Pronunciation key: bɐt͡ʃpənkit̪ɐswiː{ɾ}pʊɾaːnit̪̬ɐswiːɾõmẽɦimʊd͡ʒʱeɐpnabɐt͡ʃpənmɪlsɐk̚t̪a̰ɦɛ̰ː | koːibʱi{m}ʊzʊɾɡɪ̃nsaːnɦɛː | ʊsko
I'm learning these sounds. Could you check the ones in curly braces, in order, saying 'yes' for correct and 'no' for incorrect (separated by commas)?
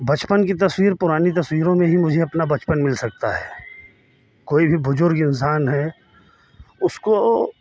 yes, no